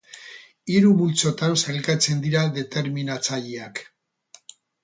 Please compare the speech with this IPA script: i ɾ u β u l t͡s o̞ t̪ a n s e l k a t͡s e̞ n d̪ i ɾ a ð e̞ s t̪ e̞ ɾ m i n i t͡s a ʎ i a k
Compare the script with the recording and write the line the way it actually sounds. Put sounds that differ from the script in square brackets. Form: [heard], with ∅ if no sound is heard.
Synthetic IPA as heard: i ɾ u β u l t͡s o̞ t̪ a n s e l k a t͡s e̞ n d̪ i ɾ a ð e̞ [∅] t̪ e̞ ɾ m i n [a] t͡s a ʎ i a k